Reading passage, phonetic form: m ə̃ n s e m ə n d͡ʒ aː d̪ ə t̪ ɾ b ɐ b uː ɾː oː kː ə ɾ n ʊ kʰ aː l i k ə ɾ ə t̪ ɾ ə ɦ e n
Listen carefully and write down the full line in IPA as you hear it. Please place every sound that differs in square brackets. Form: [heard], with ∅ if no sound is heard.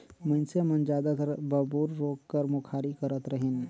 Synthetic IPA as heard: m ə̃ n s e m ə n d͡ʒ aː d̪ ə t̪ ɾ b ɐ b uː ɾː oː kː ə ɾ [m] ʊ kʰ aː [ɾ] i k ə ɾ ə t̪ ɾ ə ɦ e n